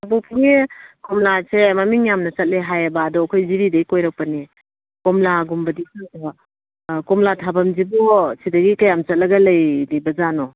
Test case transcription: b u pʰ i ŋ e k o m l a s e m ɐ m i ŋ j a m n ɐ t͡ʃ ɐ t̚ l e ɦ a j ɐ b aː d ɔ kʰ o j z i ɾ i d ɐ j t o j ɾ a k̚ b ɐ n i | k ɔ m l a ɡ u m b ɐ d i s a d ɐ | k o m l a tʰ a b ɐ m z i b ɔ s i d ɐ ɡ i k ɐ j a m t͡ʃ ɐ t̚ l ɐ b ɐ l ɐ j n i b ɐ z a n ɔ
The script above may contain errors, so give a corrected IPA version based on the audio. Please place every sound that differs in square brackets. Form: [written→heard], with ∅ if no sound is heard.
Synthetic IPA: b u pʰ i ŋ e k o m l a s e m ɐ m i ŋ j a m n ɐ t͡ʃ ɐ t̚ l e ɦ a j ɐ b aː d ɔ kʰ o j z i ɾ i d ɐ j [t→k] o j ɾ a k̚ [b→p] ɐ n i | k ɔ m l a ɡ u m b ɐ d i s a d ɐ | k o m l a tʰ a b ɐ m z i b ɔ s i d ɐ ɡ i k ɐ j a m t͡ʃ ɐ t̚ l ɐ [b→ɡ] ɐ l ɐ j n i b ɐ z a n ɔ